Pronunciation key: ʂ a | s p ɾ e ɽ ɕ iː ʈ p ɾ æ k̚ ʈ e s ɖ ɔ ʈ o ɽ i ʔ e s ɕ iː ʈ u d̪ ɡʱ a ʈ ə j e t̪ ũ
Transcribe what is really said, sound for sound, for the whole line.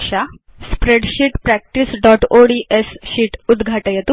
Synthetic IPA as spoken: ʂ a | s p ɾ e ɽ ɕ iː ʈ p ɾ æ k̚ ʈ i s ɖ ɔ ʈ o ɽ i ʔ e s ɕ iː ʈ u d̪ ɡʱ a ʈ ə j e t̪ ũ